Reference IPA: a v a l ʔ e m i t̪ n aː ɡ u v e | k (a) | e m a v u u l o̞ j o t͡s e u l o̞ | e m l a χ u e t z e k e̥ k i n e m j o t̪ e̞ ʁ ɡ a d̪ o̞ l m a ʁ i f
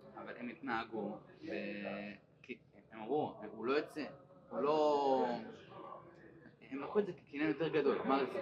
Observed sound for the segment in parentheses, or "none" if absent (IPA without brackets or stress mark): i